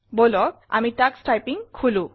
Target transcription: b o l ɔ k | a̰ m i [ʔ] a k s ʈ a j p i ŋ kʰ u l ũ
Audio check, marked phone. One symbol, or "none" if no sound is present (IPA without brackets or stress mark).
t